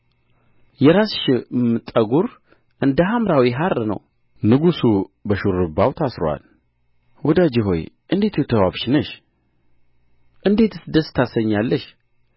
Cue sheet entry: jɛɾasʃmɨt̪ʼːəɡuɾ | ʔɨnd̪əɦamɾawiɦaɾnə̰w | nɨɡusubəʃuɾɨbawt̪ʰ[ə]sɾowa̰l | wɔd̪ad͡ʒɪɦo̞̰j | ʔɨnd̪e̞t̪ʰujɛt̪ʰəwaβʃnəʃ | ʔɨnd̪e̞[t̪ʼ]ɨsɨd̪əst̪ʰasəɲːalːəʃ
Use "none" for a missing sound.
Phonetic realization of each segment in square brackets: a, t̪

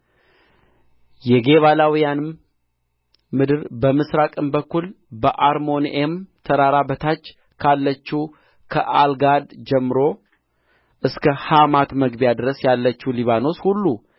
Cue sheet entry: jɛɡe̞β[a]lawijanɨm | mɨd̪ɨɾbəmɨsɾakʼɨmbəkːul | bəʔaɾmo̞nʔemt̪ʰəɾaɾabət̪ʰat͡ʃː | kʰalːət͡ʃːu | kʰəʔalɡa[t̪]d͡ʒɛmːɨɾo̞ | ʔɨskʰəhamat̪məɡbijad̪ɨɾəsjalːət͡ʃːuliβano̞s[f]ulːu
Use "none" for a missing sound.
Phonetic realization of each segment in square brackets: a, d̪, h

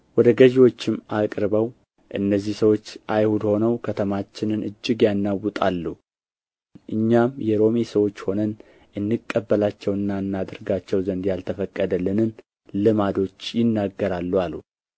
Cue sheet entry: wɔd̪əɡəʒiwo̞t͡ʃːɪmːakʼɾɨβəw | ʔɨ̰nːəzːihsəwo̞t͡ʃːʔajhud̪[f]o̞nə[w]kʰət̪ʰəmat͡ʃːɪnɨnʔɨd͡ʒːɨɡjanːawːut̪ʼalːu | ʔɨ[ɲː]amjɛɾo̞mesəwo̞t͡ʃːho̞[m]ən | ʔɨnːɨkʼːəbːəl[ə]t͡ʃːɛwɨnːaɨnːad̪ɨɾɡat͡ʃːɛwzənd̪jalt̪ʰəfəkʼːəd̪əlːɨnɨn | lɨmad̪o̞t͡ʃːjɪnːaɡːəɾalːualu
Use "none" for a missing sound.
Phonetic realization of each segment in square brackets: h, w, ɲː, n, a

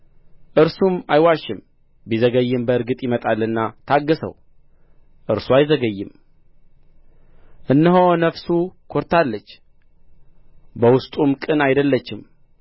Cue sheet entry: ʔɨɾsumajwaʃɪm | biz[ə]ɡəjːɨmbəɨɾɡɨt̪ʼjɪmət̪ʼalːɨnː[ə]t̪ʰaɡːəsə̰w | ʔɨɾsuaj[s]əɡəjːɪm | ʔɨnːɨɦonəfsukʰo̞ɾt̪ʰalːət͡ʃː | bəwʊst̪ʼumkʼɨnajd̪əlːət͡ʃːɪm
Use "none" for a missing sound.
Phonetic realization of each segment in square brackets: ə, a, z

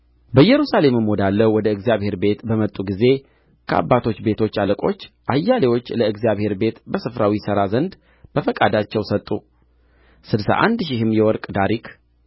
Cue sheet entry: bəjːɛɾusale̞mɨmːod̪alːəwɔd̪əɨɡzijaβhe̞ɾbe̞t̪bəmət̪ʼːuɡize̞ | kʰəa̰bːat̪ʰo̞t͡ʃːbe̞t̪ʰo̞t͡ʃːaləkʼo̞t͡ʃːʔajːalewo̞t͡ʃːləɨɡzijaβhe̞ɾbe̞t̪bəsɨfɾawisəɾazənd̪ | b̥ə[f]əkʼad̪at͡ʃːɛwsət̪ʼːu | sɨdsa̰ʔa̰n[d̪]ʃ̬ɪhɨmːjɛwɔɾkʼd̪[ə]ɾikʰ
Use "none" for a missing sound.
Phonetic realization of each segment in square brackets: f, d̪, a

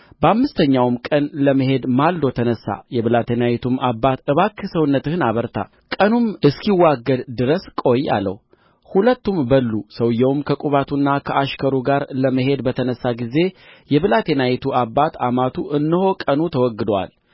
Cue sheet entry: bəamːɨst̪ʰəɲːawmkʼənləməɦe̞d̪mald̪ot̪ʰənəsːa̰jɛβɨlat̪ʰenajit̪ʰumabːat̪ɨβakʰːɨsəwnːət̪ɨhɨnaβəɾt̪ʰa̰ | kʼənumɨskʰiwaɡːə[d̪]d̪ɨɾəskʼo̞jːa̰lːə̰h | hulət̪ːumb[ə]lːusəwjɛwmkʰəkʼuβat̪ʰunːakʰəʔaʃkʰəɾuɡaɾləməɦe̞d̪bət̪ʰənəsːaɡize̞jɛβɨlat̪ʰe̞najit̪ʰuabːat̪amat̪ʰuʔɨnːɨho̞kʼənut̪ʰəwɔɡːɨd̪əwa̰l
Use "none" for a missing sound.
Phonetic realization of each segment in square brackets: d̪, ə

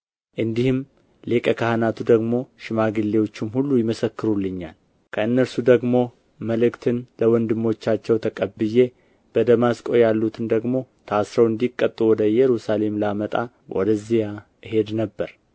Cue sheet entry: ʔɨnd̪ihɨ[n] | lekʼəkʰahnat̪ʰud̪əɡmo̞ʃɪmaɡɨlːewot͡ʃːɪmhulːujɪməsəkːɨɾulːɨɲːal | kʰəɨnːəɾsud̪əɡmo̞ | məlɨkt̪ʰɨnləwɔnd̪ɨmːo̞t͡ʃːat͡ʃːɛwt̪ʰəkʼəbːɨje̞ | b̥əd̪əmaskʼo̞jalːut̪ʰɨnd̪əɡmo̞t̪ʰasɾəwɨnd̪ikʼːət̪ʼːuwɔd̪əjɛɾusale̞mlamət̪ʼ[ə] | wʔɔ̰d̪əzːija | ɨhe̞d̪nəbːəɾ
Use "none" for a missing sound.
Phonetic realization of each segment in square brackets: m, a

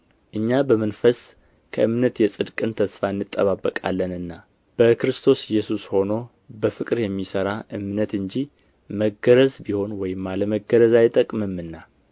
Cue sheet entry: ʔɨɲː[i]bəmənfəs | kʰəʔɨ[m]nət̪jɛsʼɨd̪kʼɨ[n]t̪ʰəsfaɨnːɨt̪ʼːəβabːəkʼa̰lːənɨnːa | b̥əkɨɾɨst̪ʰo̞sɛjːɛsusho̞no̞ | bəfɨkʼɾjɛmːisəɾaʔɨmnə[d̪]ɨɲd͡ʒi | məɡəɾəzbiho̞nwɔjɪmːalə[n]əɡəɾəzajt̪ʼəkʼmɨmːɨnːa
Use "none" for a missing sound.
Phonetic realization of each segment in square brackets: a, m, n, t̪, m

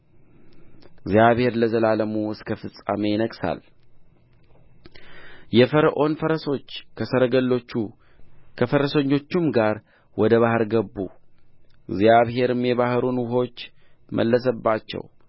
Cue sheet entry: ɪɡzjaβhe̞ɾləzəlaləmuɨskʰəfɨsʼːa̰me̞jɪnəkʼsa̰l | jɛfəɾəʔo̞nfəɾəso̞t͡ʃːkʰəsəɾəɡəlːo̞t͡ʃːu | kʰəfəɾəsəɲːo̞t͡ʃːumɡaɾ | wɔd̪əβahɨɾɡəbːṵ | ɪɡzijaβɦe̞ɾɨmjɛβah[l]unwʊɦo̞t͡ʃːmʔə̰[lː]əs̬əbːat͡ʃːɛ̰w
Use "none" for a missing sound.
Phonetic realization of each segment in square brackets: ɾ, lː

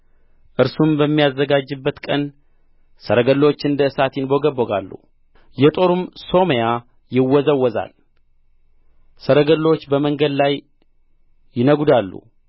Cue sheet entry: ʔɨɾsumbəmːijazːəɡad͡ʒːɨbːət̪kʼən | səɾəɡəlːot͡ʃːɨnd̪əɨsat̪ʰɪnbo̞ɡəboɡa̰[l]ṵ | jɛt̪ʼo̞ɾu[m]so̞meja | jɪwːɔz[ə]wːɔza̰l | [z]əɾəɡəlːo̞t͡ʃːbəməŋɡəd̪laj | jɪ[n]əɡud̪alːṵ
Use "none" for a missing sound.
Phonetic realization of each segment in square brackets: lː, m, ə, s, n

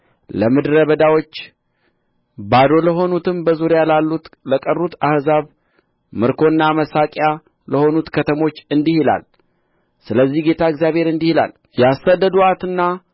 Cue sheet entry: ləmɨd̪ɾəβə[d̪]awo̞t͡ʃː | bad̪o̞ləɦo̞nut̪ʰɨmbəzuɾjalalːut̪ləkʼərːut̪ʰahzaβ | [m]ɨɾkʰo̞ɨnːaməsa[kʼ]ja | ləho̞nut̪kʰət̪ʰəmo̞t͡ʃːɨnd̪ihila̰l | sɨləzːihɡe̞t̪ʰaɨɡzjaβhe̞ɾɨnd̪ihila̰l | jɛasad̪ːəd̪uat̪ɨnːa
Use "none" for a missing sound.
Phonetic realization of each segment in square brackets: d̪, m, kʼ

